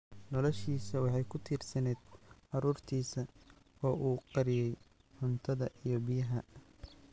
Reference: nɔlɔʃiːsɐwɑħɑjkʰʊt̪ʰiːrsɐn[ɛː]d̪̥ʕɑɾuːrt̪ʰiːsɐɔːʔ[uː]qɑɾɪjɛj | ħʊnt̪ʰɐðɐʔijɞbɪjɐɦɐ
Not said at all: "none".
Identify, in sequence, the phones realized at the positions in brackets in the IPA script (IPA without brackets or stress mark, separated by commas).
ɛː, uː